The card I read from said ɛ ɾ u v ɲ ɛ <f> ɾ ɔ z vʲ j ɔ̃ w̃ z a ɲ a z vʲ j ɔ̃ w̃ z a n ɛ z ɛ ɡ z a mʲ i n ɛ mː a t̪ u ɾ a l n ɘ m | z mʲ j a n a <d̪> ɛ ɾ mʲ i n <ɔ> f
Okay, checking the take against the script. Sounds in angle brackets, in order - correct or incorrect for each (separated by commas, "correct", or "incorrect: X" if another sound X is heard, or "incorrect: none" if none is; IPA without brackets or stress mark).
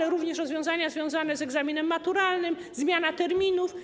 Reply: incorrect: ʂ, incorrect: t̪, incorrect: u